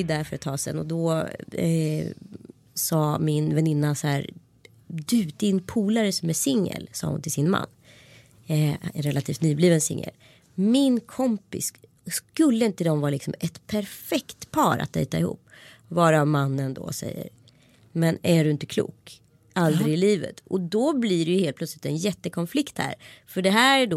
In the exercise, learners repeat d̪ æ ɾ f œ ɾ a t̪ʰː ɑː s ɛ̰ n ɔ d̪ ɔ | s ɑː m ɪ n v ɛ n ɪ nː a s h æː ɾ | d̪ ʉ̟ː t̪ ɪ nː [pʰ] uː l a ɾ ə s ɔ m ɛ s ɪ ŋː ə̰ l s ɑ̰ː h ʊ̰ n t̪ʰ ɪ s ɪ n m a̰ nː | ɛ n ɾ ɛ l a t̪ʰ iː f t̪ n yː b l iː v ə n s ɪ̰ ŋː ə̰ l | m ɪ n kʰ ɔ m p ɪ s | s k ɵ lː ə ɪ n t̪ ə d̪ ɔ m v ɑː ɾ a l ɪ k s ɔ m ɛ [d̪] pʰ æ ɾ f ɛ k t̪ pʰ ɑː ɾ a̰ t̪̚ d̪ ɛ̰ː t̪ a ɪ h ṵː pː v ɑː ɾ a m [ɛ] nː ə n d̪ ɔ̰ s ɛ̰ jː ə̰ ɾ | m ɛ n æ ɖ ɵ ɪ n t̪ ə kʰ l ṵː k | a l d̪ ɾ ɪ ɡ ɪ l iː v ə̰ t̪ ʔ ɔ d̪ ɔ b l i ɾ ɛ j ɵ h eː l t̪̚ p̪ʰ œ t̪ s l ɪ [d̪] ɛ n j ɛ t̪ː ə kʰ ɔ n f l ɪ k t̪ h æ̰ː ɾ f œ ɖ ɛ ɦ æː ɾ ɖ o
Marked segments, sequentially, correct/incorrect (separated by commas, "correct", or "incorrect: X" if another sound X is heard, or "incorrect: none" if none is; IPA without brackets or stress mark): correct, incorrect: t̪, incorrect: a, incorrect: t̪